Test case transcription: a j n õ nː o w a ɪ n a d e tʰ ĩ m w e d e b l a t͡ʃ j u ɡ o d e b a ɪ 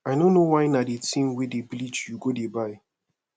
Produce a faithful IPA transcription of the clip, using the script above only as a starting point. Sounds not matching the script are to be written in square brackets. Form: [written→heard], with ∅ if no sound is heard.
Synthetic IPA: a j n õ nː o w a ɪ n a d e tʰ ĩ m w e d e b l [a→i] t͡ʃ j u ɡ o d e b a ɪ